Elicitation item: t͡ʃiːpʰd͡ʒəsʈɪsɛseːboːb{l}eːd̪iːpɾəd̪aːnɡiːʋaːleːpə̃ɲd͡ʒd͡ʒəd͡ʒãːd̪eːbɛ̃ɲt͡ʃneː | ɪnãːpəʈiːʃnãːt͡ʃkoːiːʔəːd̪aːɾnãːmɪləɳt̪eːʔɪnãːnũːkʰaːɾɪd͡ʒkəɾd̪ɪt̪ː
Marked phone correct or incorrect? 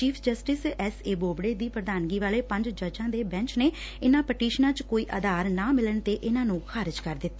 incorrect